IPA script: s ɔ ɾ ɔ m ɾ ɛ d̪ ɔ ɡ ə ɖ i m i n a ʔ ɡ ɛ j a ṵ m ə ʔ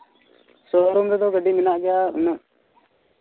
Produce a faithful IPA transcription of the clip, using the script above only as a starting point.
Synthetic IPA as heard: s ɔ ɾ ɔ m ɾ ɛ d̪ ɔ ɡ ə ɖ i m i n a ʔ ɡ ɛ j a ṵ n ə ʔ